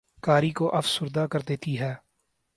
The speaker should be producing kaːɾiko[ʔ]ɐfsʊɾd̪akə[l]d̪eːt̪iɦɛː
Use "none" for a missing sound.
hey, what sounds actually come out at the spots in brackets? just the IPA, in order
ʔ, ɾ

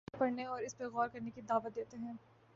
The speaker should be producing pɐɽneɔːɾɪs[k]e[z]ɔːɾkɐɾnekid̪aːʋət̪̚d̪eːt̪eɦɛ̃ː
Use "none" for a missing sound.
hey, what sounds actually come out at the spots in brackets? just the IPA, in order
p, ɣ

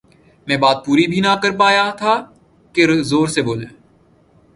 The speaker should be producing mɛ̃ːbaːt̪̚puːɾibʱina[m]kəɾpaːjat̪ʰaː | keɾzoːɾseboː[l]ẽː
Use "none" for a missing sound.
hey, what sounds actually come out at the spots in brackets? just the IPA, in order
none, l

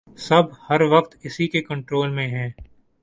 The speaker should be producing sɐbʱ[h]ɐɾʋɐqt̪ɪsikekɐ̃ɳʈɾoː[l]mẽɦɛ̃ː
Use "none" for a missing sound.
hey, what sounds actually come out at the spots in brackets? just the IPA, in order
h, l

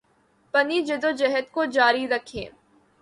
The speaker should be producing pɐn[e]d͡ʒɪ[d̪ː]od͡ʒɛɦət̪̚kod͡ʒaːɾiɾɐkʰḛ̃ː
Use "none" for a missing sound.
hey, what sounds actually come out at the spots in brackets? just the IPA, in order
i, d̪

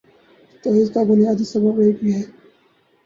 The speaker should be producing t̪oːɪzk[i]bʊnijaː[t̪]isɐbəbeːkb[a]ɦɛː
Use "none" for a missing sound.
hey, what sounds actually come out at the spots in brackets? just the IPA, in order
a, d̪, i

